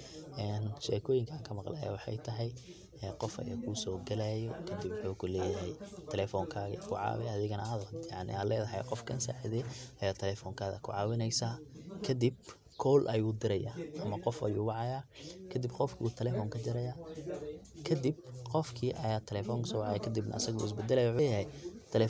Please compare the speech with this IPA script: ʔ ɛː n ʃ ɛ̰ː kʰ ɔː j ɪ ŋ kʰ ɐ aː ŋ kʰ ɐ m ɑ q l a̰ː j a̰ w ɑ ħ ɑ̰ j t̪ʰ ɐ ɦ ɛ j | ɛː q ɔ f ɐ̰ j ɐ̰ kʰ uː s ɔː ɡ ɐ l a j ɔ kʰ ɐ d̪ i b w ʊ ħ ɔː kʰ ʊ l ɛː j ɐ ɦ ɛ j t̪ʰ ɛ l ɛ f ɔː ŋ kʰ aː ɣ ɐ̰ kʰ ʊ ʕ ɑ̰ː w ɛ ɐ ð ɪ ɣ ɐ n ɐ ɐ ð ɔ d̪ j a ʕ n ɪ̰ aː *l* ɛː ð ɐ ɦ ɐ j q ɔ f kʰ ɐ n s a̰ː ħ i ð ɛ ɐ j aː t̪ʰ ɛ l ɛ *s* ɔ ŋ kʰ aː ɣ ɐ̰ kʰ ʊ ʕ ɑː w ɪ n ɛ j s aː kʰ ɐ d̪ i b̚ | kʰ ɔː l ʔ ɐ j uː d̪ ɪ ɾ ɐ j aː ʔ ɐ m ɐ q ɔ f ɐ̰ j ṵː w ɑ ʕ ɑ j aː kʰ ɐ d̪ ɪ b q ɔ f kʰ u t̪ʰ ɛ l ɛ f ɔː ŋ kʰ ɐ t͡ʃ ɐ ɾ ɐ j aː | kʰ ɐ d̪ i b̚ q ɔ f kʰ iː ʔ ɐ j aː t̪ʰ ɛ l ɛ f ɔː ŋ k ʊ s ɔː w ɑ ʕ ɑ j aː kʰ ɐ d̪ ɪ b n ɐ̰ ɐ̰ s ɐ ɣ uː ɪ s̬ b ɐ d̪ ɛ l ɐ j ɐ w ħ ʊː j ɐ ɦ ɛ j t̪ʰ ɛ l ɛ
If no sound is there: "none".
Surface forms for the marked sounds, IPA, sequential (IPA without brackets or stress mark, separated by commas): l, f